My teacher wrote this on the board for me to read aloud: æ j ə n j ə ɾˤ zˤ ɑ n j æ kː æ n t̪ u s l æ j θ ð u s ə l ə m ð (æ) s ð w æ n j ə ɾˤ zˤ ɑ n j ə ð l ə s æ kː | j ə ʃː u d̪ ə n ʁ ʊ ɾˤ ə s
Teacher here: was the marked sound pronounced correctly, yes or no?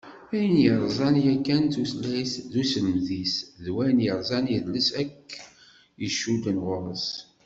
no